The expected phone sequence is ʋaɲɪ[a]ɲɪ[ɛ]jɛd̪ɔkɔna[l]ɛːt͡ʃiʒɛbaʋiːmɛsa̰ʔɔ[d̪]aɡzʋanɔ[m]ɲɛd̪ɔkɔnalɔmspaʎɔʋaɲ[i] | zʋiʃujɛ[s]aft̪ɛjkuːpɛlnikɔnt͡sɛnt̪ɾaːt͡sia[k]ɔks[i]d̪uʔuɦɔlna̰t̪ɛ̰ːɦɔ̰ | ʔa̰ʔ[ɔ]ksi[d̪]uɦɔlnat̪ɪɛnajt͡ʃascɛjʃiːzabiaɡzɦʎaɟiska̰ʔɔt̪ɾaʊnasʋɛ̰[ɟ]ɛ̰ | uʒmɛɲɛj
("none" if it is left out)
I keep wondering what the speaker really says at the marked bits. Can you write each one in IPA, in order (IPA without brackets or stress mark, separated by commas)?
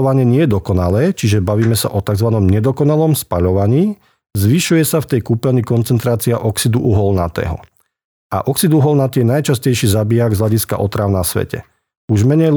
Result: ɛ, ɛ, l, t̪, m, iː, s, ʔ, i, ɔ, d̪, c